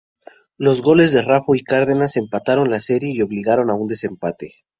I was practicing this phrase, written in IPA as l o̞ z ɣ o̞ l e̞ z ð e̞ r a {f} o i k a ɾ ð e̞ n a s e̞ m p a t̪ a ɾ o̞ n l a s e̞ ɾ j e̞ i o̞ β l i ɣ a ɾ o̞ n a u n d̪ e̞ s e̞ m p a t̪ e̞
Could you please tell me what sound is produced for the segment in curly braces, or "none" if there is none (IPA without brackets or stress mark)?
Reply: f